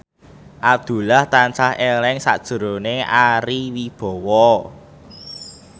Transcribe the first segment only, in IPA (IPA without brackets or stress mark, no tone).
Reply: ʔ